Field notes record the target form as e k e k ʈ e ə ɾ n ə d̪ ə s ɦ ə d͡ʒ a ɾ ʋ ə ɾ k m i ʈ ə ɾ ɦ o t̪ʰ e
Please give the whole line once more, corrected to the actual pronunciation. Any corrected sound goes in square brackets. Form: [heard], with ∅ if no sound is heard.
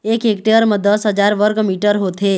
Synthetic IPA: e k e k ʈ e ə ɾ [m] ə d̪ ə s ɦ ə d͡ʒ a ɾ ʋ ə ɾ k m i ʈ ə ɾ ɦ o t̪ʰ e